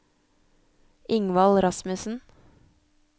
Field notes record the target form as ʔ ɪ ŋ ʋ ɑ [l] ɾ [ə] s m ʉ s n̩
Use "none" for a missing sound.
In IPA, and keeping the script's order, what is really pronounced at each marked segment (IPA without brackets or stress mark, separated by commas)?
l, ɑ